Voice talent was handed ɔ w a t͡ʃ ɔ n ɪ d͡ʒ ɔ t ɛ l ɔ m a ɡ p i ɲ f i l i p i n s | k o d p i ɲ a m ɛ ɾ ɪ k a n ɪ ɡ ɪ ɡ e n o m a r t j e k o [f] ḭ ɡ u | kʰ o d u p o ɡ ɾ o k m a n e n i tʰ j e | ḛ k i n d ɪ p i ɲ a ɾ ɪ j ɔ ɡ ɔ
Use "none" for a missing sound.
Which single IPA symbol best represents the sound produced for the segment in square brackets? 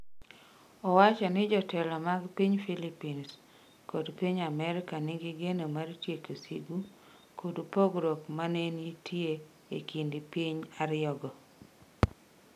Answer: s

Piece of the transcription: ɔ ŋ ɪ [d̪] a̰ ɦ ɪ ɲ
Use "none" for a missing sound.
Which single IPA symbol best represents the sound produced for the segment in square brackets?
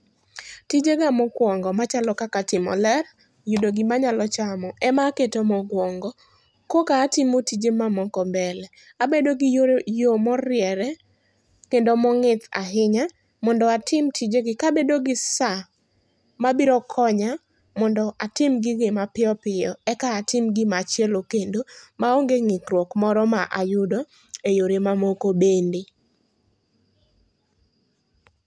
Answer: t̪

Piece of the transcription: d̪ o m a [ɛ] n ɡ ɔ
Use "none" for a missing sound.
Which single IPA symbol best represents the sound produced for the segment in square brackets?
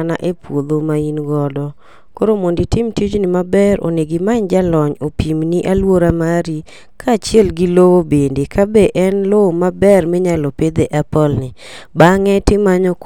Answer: i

